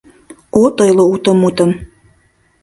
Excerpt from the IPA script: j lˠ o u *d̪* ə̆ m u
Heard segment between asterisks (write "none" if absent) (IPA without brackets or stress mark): t̪